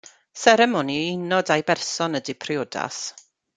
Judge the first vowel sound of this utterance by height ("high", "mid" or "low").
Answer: mid